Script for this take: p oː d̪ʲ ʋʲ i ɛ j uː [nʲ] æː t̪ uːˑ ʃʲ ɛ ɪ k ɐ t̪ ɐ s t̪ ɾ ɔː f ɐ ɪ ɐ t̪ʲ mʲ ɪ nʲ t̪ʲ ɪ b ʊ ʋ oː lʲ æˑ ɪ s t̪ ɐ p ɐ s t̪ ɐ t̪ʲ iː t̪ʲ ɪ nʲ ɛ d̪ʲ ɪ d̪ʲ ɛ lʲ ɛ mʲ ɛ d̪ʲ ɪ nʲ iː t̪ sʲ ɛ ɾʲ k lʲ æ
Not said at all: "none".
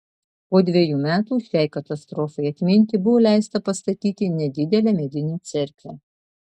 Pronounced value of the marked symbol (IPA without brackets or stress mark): mʲ